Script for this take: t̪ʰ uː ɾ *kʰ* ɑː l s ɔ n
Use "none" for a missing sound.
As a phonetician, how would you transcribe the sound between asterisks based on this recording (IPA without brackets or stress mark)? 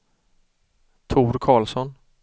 kʰ